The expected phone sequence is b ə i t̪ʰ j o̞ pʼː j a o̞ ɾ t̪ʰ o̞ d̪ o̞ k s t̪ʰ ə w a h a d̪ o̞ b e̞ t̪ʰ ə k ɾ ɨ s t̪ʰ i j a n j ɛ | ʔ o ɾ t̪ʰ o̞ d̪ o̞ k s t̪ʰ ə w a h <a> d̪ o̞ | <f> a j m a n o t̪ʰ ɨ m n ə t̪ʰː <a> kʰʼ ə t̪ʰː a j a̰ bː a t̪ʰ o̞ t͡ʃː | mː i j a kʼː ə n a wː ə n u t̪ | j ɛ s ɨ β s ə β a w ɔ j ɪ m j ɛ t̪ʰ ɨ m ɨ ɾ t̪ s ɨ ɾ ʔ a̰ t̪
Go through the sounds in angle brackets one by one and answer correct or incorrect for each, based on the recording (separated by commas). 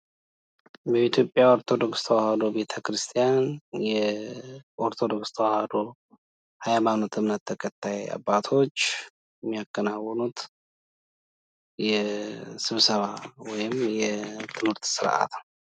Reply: correct, incorrect, incorrect